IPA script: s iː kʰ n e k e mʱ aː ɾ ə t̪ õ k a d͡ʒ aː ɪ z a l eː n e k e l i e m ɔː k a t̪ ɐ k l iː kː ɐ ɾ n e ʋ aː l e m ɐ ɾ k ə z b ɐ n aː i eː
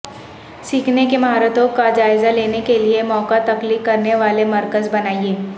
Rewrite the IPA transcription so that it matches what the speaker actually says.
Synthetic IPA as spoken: s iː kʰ n e k e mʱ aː ɾ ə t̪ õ k a d͡ʒ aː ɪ z a l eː n e k e l i e m ɔː k a t̪ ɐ k l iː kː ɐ ɾ n e ʋ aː l e m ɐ ɾ k ə z b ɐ n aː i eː